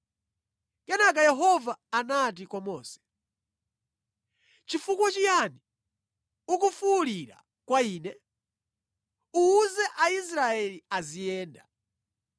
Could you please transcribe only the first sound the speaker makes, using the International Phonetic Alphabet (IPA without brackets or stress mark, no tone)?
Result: k